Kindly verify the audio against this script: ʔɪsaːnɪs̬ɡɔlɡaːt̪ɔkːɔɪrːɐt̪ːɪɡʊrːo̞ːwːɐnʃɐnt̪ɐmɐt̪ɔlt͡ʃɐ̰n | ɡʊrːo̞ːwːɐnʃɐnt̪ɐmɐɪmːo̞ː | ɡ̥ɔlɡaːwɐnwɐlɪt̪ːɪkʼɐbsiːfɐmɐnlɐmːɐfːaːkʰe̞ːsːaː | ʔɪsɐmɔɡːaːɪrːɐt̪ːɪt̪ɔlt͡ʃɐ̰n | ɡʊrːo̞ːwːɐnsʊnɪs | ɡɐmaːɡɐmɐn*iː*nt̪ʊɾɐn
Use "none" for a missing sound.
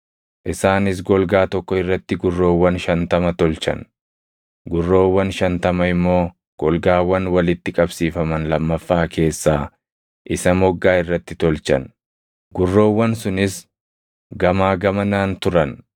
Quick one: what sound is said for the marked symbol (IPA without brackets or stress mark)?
aː